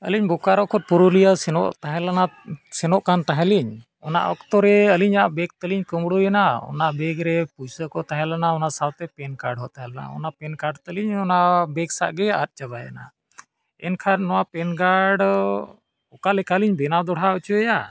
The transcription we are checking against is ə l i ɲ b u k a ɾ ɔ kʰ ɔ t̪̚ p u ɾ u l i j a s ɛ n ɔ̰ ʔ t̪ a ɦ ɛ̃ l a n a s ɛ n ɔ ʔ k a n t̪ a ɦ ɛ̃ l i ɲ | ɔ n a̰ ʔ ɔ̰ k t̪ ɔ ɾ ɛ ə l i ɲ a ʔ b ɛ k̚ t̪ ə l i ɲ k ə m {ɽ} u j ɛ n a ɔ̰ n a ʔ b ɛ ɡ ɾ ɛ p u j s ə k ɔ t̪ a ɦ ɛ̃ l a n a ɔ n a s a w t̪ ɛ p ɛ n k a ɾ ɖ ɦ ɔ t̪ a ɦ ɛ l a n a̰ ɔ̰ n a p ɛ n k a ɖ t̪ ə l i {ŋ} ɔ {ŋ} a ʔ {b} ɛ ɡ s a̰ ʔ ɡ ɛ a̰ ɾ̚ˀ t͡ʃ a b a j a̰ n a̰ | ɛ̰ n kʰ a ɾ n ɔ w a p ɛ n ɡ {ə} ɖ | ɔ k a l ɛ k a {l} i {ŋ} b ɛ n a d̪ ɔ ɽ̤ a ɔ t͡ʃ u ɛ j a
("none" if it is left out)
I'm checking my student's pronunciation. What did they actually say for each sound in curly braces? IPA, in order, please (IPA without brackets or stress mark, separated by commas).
ɽ, ɲ, n, b, a, l, ɲ